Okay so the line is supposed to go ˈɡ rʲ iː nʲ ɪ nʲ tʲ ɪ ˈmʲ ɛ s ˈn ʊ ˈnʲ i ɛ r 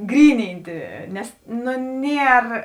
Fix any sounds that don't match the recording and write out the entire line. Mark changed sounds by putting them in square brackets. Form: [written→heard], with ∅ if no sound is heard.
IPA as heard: ˈɡ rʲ iː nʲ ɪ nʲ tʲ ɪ [ˈmʲ→ˈnʲ] ɛ s ˈn ʊ ˈnʲ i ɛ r